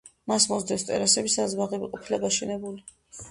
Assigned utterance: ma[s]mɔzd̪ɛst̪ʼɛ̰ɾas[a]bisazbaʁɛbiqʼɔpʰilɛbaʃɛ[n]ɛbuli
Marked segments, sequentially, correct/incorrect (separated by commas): correct, incorrect, correct